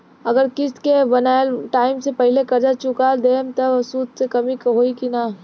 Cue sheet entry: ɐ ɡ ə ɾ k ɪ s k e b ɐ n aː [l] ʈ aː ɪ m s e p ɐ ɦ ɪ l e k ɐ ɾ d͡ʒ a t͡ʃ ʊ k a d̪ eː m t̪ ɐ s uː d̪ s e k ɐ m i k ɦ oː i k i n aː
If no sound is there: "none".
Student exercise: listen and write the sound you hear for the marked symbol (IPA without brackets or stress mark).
l